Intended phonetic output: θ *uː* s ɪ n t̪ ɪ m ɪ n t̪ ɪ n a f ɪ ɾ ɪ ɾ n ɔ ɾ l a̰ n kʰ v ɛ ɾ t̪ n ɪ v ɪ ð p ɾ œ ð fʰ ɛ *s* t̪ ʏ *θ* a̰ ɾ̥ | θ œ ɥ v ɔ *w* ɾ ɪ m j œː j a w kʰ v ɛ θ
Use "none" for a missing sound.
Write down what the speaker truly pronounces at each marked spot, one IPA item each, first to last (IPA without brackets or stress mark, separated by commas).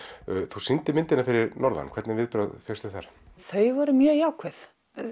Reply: u, s, θ, none